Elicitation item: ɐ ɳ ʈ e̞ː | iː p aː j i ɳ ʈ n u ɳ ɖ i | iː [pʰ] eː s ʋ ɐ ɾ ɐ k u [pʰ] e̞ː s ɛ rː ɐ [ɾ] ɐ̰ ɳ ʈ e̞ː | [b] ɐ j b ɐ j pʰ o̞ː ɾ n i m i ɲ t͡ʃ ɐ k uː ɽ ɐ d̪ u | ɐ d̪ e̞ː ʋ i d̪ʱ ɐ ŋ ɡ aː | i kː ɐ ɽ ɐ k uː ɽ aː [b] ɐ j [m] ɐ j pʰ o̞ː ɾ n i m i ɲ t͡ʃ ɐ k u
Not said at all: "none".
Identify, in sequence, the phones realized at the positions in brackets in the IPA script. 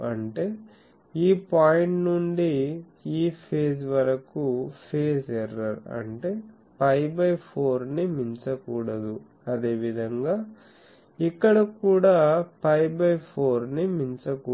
pʰ, pʰ, ɾ, p, p, b

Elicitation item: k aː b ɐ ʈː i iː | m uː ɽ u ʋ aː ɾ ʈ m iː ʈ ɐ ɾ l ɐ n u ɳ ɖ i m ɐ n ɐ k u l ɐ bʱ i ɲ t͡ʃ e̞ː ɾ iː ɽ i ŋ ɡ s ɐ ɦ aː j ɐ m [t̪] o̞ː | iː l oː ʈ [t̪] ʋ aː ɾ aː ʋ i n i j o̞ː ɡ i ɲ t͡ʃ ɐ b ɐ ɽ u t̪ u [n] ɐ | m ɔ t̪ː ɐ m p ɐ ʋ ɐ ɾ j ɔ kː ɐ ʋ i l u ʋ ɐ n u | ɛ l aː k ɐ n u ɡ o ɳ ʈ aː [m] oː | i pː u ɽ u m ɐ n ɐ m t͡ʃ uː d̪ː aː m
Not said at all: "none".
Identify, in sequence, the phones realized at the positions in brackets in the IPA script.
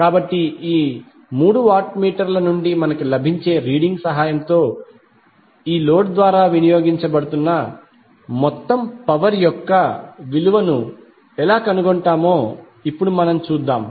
t̪, d̪, nː, m

